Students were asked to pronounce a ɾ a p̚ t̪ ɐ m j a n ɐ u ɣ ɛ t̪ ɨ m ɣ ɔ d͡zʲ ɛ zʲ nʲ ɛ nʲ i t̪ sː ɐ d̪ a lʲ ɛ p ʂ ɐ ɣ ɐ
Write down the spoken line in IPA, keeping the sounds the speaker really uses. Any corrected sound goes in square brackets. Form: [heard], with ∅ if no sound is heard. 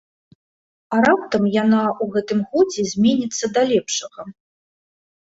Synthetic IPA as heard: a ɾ a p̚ t̪ ɐ m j a n [a] u ɣ ɛ t̪ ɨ m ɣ ɔ d͡zʲ ɛ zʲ [mʲ] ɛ nʲ i t̪ sː ɐ d̪ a lʲ ɛ p ʂ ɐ ɣ ɐ

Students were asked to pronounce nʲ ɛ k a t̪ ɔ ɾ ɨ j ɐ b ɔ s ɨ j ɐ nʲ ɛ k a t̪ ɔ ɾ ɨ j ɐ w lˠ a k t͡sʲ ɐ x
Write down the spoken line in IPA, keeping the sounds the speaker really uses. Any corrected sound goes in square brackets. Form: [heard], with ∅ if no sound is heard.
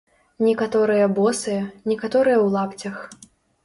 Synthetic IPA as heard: nʲ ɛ k a t̪ ɔ ɾ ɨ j ɐ b ɔ s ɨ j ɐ nʲ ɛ k a t̪ ɔ ɾ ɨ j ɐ w lˠ a [p] t͡sʲ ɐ x

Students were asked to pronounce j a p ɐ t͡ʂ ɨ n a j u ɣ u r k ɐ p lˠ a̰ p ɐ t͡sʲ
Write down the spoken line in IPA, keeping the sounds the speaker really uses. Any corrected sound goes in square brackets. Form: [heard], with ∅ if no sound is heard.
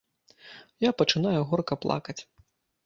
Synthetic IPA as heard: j a p ɐ t͡ʂ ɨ n a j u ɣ [ɔ] r k ɐ p lˠ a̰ [k] ɐ t͡sʲ

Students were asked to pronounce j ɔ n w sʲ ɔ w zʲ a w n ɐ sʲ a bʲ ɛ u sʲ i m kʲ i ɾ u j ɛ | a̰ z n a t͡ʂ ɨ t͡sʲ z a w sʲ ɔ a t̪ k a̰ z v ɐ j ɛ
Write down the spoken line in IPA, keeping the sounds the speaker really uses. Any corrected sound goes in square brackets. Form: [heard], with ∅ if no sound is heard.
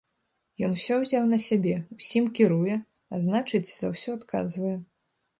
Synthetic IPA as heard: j ɔ n w sʲ ɔ w zʲ a w n ɐ sʲ a bʲ ɛ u sʲ i m kʲ i ɾ u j ɛ | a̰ z n a t͡ʂ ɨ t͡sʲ z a w sʲ ɔ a t̪ k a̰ z v ɐ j ɛ

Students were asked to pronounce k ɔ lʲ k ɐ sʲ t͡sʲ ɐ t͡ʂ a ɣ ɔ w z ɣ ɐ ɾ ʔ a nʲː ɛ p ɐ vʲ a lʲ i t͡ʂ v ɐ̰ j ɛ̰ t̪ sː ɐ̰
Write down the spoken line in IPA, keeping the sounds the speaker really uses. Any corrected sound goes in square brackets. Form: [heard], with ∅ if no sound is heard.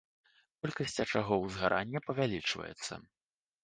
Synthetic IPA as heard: k ɔ lʲ k ɐ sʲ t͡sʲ ɐ t͡ʂ a ɣ ɔ w z ɣ [a] ɾ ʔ a nʲː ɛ p ɐ vʲ a lʲ i t͡ʂ v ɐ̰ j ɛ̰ t̪ sː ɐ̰

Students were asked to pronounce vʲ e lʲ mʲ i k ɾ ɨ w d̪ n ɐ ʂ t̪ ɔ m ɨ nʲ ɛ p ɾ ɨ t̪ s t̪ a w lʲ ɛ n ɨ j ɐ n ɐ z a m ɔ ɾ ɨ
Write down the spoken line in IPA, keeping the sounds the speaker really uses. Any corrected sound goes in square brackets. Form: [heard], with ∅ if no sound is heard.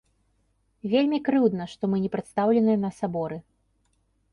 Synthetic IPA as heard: vʲ e lʲ mʲ i k ɾ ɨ w d̪ n ɐ ʂ t̪ ɔ m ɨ nʲ ɛ p ɾ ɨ t̪ s t̪ a w lʲ ɛ n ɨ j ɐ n ɐ [s] a [b] ɔ ɾ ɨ

